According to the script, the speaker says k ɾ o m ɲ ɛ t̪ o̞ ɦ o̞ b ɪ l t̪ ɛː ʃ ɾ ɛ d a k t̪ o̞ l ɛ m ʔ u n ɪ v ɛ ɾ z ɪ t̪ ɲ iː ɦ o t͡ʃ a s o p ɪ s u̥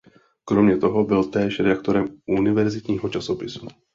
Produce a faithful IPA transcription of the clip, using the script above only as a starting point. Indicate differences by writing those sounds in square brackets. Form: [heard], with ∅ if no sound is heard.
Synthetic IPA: k ɾ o m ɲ ɛ t̪ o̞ ɦ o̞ b ɪ l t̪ ɛː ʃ ɾ ɛ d a k t̪ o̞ [ɾ] ɛ m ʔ u n ɪ v ɛ ɾ z ɪ t̪ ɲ iː ɦ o t͡ʃ a s o p ɪ s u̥